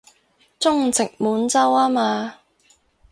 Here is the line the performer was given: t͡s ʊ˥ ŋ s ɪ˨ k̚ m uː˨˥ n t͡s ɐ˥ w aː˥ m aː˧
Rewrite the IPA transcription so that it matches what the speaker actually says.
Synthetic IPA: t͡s ʊ˥ ŋ t͡s ɪ˨ k̚ m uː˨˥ n t͡s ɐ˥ w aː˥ m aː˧